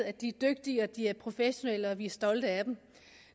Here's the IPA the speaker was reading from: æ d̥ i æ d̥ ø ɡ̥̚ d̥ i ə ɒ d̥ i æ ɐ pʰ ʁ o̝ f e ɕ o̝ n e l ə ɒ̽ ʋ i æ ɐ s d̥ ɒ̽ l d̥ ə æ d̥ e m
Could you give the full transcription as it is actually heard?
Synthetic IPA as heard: æ d̥ i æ d̥ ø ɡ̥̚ d̥ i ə ɒ d̥ i æ ɐ pʰ ʁ o̝ f e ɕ o̝ n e l ə ɒ̽ ʋ i æ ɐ s d̥ ɒ̽ l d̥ ə æ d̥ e m